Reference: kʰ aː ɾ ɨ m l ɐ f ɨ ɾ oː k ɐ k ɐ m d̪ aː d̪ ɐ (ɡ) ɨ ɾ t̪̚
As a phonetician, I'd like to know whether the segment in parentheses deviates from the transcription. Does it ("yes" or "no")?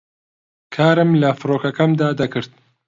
yes